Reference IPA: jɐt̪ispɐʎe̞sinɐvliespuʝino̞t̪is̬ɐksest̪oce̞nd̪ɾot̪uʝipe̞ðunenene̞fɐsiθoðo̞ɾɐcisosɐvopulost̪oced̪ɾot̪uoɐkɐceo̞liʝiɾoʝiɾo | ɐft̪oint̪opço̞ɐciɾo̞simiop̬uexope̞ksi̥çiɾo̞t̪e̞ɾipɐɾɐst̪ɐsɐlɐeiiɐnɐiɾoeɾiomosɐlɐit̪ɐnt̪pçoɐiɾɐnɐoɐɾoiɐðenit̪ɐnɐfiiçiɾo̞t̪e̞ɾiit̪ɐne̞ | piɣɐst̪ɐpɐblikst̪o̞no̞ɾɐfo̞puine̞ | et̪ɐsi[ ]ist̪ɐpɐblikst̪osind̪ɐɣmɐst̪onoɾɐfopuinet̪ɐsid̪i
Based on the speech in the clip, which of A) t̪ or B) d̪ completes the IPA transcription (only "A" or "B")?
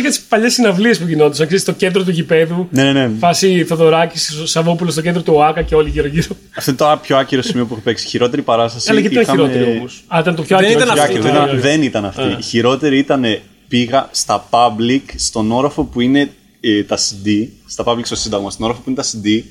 B